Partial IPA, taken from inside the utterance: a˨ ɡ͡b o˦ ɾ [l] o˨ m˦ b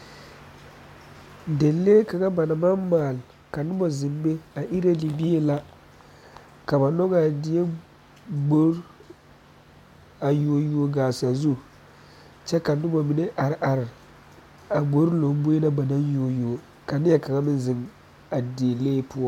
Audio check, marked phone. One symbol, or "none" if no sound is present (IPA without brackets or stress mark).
l